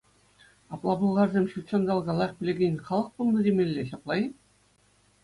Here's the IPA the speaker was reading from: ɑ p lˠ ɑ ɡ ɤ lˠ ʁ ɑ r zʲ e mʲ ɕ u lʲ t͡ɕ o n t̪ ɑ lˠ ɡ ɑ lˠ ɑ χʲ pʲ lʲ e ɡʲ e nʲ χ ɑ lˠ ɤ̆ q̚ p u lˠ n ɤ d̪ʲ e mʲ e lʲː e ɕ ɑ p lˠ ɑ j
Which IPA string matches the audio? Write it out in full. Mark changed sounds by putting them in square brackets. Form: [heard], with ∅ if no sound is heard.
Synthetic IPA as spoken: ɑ p lˠ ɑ [b] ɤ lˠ ʁ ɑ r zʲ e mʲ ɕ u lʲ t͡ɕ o n [d̪] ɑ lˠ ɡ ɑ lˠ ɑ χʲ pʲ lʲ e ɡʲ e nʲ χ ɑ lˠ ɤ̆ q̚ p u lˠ n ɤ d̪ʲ e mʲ e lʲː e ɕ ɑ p lˠ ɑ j